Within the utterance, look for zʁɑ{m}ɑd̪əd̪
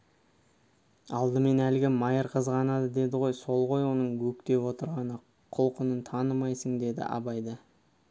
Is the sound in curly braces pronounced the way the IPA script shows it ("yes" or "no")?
no